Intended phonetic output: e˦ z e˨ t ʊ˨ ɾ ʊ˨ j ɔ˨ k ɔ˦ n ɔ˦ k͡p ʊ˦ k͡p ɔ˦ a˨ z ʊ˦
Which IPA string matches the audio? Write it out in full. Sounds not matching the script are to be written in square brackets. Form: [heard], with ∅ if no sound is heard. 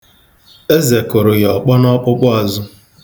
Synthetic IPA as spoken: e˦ z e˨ [k] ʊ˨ ɾ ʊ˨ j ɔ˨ [k͡p] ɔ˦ n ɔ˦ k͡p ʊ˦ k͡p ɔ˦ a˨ z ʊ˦